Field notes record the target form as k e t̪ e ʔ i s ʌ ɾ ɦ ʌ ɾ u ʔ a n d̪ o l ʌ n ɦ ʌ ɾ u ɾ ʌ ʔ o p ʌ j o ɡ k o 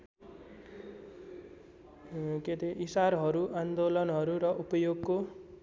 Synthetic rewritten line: k e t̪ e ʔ i s a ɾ ɦ ʌ ɾ u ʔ a n d̪ o l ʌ n ɦ ʌ ɾ u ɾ ʌ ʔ u p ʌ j o ɡ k o